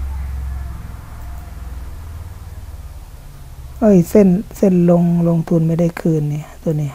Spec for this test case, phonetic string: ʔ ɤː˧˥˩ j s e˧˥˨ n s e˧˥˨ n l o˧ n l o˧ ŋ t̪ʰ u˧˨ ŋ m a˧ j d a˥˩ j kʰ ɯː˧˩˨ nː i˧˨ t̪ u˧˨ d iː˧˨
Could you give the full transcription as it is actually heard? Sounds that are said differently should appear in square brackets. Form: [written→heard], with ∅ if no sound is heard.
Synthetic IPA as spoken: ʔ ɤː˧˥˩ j s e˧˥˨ n s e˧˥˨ n l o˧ [n→ŋ] l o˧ ŋ t̪ʰ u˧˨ [ŋ→n] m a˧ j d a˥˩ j kʰ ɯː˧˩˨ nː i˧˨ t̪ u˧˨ [d→n] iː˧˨